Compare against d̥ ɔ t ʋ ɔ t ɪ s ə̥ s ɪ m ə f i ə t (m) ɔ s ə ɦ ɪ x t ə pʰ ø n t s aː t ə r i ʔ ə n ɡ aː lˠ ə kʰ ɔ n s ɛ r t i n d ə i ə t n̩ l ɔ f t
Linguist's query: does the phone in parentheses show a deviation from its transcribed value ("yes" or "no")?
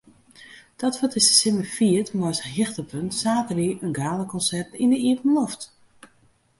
no